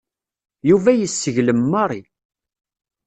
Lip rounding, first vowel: rounded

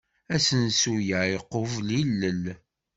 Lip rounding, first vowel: unrounded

